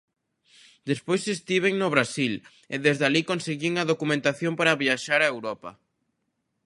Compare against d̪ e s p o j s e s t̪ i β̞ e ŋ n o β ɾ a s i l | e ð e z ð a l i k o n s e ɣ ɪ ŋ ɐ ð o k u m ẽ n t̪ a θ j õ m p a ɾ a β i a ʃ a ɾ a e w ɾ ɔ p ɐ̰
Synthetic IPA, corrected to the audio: d̪ e s p o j s e s t̪ i β̞ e ŋ n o β ɾ a s i l | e ð e z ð a l i k o n s e ɣ i ŋ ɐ ð o k u m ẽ n t̪ a θ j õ m p a ɾ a β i a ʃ a ɾ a e w ɾ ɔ p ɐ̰